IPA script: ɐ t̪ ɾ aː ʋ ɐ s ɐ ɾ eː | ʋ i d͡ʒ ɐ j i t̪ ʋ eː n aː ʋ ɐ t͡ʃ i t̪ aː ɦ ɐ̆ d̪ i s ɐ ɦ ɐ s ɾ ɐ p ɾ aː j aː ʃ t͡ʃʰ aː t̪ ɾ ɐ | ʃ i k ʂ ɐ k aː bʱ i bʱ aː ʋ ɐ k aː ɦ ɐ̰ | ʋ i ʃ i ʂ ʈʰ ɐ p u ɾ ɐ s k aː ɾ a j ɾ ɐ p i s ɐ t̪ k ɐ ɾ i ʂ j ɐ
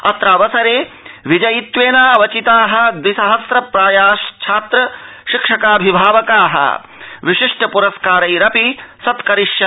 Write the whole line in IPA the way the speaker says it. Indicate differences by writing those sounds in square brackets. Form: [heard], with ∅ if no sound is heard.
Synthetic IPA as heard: ɐ t̪ ɾ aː ʋ ɐ s ɐ ɾ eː | ʋ i d͡ʒ ɐ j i t̪ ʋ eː n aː ʋ ɐ t͡ʃ i t̪ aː ɦ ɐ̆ d̪ i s ɐ ɦ ɐ s ɾ ɐ p ɾ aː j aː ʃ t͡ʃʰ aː t̪ ɾ ɐ | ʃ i k ʂ ɐ k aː bʱ i bʱ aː ʋ ɐ k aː ɦ ɐ̰ | ʋ i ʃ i ʂ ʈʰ ɐ p u ɾ ɐ s k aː ɾ [ɐ] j ɾ ɐ p i s ɐ t̪ k ɐ ɾ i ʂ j ɐ